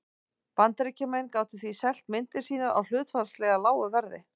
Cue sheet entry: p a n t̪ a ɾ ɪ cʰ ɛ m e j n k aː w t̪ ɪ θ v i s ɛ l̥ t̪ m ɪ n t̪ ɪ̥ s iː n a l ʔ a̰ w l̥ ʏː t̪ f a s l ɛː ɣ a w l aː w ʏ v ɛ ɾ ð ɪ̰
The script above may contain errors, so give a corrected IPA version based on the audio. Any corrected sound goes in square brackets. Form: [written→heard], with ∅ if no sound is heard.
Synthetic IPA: p a n t̪ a ɾ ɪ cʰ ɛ m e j n k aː w t̪ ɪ θ v i s ɛ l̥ t̪ m ɪ n t̪ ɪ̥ s iː n a [l→ɾ] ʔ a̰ w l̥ ʏː t̪ f a s l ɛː ɣ a [w→∅] l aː w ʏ v ɛ ɾ ð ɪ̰

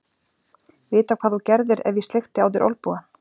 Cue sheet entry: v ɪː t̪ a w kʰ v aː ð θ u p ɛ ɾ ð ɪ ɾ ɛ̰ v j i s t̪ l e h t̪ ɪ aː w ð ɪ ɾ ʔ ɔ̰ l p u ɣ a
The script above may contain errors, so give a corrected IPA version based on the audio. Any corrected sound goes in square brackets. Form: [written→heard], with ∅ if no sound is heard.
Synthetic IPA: v ɪː t̪ a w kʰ v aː ð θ u [p→c] ɛ ɾ ð ɪ ɾ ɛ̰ v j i s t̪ l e [h→x] t̪ ɪ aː w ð ɪ ɾ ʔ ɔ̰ l p u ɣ a

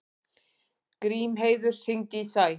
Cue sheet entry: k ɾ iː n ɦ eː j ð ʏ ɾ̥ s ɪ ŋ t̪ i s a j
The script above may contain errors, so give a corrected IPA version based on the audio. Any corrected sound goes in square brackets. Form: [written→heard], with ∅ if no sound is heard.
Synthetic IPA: k ɾ iː [n→m] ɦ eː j ð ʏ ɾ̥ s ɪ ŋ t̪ i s a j

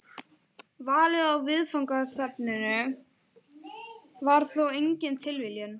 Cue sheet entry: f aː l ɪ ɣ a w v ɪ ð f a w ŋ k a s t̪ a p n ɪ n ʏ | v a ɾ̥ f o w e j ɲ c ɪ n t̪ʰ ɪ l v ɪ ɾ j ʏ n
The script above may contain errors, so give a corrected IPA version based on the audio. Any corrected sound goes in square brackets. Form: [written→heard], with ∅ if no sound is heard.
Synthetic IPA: [f→v] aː l ɪ [ɣ→ð] a w v ɪ ð f a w ŋ k a s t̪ a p n ɪ n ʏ | v a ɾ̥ [f→θ] o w e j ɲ c ɪ n t̪ʰ ɪ l v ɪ [ɾ→l] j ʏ n

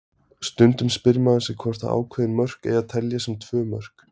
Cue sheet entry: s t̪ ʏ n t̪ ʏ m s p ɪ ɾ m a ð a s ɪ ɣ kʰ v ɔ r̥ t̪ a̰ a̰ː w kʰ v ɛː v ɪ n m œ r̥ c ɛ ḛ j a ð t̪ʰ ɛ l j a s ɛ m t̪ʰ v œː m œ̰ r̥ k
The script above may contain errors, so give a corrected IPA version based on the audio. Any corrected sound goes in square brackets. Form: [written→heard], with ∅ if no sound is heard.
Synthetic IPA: s t̪ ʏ n t̪ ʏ m s p ɪ ɾ m a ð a s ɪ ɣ kʰ v ɔ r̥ t̪ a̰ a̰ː w kʰ v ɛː [v→ð] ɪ n m œ r̥ [c→k] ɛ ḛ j a ð t̪ʰ ɛ l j a s ɛ m t̪ʰ v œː m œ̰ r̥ k

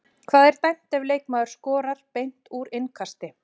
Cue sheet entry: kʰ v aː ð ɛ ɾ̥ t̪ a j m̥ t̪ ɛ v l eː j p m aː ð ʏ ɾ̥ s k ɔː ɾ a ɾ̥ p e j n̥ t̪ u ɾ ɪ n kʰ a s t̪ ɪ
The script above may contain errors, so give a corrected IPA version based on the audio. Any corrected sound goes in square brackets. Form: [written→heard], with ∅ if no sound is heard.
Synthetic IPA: kʰ v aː ð ɛ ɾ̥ t̪ a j m̥ t̪ ɛ v l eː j [p→k] m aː ð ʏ ɾ̥ s k ɔː ɾ a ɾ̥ p e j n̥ t̪ u ɾ ɪ n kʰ a s t̪ ɪ

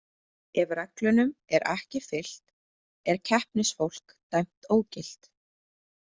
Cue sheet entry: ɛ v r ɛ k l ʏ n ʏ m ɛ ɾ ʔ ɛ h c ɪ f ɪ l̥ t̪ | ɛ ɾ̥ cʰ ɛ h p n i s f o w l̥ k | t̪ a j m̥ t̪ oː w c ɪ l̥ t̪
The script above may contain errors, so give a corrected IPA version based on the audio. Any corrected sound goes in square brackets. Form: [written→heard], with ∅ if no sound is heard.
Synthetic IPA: ɛ v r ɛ k l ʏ n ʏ m ɛ ɾ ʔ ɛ h c ɪ f ɪ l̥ t̪ | ɛ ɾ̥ cʰ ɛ h p n [i→ɪ] s f o w l̥ k | t̪ a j m̥ t̪ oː w c ɪ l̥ t̪

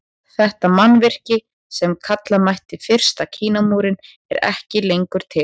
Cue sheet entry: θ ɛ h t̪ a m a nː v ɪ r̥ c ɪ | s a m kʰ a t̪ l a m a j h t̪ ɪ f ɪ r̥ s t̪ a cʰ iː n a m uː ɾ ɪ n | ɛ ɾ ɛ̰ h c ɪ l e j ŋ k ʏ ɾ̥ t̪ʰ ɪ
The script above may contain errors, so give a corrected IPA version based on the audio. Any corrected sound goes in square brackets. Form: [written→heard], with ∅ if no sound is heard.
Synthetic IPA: θ ɛ h t̪ a m a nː v ɪ r̥ c ɪ | s [a→ɛ] m kʰ a t̪ l a m a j h t̪ ɪ f ɪ r̥ s t̪ a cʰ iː n a m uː ɾ ɪ n | ɛ ɾ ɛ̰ h c ɪ l e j ŋ k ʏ ɾ̥ t̪ʰ ɪ

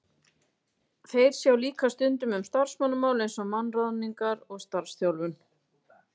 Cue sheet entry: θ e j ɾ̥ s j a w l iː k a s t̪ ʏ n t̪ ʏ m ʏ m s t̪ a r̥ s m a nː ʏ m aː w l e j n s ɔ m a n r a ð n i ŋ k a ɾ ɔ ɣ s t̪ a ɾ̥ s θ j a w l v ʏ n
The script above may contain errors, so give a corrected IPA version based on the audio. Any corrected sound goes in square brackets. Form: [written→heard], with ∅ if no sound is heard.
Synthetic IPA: θ e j ɾ̥ s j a w l iː k a s t̪ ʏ n t̪ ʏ m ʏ m s t̪ a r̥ s m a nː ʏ m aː w l e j n s ɔ m a n r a ð n i ŋ k a ɾ ɔ ɣ s t̪ a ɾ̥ s θ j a w l v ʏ n

